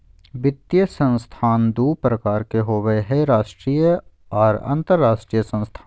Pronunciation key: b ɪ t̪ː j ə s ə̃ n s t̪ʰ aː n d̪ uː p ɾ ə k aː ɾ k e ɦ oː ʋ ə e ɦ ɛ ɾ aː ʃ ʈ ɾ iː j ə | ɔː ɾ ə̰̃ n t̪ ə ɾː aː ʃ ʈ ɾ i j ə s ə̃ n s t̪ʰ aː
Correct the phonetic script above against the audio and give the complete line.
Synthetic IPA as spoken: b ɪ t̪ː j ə s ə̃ n s t̪ʰ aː n d̪ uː p ɾ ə k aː ɾ k e ɦ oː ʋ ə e ɦ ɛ ɾ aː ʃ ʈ ɾ iː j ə | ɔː ɾ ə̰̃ n t̪ ə ɾː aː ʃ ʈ ɾ i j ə s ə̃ n s t̪ʰ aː